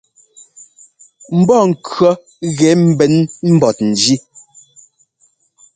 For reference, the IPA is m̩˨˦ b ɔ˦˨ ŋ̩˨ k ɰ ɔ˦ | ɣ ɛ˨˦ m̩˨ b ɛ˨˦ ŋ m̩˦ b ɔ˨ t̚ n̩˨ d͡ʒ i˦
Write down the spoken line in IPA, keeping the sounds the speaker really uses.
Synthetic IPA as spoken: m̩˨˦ b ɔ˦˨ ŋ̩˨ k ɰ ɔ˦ | ɣ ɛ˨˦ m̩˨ b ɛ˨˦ n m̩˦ b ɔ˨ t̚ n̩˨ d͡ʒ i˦